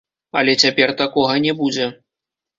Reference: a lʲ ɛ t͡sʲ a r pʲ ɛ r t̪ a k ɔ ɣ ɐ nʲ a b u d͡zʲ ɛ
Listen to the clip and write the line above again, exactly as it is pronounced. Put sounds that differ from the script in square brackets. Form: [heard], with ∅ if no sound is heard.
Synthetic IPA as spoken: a lʲ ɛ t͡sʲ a [∅] pʲ ɛ r t̪ a k ɔ ɣ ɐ nʲ [ɛ] b u d͡zʲ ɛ